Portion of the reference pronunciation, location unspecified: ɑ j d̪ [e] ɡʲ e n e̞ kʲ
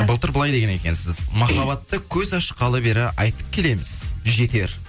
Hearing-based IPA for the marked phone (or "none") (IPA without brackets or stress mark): e